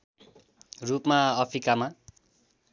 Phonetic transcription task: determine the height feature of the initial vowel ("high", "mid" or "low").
high